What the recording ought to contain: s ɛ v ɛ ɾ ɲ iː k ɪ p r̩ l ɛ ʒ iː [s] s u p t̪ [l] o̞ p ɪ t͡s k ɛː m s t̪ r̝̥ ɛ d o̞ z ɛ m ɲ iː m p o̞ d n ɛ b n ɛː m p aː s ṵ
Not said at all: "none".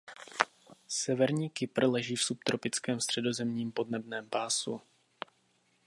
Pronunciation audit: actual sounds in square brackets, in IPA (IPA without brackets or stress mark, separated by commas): f, ɾ